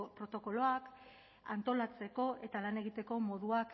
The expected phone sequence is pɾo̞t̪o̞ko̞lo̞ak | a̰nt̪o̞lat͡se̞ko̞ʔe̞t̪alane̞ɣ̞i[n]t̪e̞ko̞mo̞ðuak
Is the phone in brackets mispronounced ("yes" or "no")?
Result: yes